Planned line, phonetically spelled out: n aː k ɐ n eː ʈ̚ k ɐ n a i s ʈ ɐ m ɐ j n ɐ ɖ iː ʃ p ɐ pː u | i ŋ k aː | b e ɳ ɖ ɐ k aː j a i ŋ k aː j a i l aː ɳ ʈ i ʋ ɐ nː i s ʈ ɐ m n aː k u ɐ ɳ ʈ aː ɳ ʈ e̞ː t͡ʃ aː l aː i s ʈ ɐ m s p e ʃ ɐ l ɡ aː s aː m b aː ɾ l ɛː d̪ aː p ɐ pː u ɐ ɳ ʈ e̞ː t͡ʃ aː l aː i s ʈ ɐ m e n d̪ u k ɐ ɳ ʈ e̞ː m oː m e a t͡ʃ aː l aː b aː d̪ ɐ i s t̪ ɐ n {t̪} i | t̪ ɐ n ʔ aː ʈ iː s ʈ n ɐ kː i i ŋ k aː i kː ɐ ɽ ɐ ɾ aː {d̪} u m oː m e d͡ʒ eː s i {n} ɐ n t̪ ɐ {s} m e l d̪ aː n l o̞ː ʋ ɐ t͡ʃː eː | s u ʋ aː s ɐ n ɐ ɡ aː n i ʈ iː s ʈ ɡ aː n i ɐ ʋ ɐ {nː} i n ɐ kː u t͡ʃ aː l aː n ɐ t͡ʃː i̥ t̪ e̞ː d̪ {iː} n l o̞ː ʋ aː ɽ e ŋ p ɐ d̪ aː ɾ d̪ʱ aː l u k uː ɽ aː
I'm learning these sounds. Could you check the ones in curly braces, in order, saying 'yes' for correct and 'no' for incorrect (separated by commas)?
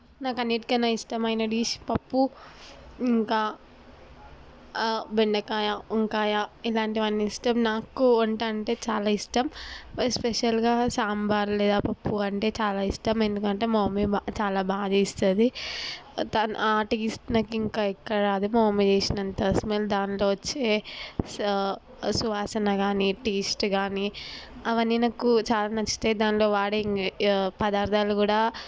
no, yes, yes, yes, yes, no